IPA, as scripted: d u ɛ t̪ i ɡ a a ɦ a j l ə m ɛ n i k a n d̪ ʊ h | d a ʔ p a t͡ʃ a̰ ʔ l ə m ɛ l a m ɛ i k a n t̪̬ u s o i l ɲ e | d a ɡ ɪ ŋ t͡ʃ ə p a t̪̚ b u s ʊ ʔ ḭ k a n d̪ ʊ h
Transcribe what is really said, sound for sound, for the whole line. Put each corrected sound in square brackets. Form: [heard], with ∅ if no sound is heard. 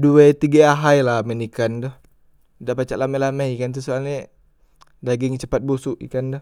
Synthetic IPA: d u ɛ t̪ i ɡ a a ɦ a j l [a] m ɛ n i k a n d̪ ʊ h | d a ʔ p a t͡ʃ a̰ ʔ l [a] m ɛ l a m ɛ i k a n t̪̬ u s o [a] l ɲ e | d a ɡ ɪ ŋ t͡ʃ ə p a t̪̚ b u s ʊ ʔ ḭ k a n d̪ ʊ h

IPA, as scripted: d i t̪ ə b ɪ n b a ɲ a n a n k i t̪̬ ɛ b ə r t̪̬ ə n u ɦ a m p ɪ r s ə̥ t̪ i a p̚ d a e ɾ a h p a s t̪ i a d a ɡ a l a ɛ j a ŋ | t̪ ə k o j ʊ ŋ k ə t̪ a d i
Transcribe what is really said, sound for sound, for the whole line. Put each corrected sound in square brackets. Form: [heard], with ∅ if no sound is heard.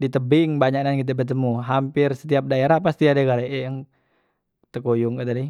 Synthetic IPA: d i t̪ ə b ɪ [ŋ] b a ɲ a n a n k i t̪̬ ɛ b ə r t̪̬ ə [m] u ɦ a m p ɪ r s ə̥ t̪ i a p̚ d a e ɾ a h p a s t̪ i a d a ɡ a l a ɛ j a ŋ | t̪ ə k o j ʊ ŋ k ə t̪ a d i

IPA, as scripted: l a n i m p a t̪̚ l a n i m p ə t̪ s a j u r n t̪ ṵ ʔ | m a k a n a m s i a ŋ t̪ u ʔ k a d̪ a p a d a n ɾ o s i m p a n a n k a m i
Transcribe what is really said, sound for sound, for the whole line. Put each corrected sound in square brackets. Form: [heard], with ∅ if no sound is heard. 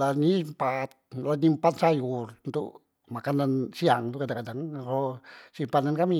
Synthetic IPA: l a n i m p a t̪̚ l a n i m p [a] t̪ s a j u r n t̪ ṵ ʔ | m a k a n a [n] s i a ŋ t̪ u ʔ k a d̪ a [k] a d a [ŋ] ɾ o s i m p a n a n k a m i

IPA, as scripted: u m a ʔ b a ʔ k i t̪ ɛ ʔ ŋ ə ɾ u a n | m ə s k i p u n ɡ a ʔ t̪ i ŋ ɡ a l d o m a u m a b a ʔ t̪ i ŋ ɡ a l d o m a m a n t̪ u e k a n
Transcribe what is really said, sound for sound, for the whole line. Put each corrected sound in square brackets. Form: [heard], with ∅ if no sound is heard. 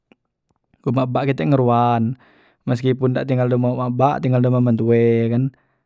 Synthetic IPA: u m a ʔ b a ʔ k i t̪ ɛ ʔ ŋ ə ɾ u a n | m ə s k i p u n [d] a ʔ t̪ i ŋ ɡ a l d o m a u m a b a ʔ t̪ i ŋ ɡ a l d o m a m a n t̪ u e k a n

